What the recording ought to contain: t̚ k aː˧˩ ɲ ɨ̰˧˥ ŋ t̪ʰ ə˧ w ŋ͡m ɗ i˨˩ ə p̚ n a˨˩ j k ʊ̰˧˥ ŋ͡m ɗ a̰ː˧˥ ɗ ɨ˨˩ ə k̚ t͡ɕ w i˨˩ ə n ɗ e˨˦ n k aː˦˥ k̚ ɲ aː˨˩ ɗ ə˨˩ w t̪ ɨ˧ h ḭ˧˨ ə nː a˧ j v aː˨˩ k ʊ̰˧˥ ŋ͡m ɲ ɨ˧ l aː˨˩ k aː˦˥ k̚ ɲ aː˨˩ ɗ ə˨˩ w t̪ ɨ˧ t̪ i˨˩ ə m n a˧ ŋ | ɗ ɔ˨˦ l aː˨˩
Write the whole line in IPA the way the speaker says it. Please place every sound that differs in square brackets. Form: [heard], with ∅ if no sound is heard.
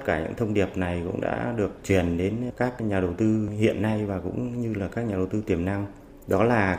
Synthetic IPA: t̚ k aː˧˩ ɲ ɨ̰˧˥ ŋ t̪ʰ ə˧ w ŋ͡m ɗ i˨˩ ə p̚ n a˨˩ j k ʊ̰˧˥ ŋ͡m ɗ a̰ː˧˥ ɗ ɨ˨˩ ə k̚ t͡ɕ w i˨˩ ə n ɗ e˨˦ n k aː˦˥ k̚ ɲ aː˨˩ ɗ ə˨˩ w t̪ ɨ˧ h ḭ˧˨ ə nː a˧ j v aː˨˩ k ʊ̰˧˥ ŋ͡m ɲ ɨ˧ l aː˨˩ k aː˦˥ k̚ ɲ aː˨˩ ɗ ə˨˩ w t̪ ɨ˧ t̪ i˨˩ ə m n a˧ ŋ | ɗ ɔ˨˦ l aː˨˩